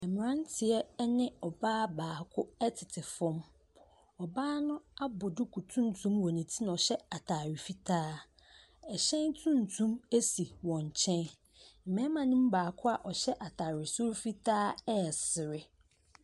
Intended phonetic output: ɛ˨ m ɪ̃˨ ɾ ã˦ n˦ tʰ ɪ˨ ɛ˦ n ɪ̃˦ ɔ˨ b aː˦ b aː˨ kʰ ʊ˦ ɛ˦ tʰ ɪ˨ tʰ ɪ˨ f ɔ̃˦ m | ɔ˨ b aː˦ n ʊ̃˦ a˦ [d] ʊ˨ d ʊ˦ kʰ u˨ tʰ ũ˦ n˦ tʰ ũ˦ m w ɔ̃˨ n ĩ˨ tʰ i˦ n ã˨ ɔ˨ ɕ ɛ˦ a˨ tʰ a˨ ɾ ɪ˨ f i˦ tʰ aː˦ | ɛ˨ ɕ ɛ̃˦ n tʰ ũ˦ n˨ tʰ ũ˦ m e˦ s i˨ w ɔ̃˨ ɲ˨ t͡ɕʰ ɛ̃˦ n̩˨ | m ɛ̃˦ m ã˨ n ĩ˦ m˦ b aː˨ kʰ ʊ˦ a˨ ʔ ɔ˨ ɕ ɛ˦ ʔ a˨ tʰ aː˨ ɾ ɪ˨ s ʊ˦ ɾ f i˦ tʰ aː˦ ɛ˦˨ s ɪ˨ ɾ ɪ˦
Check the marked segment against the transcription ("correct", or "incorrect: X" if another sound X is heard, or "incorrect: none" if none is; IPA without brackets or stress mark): incorrect: b